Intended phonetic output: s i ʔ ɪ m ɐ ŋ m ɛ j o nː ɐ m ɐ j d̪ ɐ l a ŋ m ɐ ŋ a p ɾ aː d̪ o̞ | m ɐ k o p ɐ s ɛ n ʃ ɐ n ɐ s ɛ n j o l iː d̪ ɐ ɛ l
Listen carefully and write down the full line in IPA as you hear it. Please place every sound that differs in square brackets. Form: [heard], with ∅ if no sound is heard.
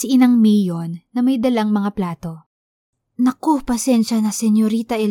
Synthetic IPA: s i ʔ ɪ [n] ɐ ŋ m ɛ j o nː ɐ m ɐ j d̪ ɐ l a ŋ m ɐ ŋ a p [l] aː [t̪] o̞ | [n] ɐ k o p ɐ s ɛ n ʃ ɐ n ɐ s ɛ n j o [ɾ] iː [t̪] ɐ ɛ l